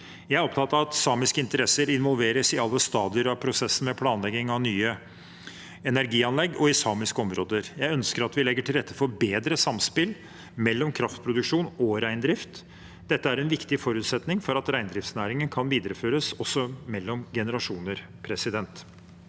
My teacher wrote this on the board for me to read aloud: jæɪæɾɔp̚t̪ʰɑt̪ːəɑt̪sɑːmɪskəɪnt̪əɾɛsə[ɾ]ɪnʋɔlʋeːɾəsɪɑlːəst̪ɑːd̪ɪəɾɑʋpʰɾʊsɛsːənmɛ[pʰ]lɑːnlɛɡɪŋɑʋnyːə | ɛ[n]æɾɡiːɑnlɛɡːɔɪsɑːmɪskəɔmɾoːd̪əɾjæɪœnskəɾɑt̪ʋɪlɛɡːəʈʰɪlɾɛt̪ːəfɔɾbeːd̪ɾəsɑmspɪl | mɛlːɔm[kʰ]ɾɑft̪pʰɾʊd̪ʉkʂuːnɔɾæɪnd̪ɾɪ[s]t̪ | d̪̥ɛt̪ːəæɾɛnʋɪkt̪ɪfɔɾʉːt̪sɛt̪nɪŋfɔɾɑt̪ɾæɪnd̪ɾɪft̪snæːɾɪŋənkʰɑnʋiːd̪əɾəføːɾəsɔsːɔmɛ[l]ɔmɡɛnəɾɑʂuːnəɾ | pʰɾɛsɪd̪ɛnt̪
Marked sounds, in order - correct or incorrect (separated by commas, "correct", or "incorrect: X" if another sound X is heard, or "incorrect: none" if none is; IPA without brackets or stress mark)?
correct, correct, correct, correct, incorrect: f, incorrect: lː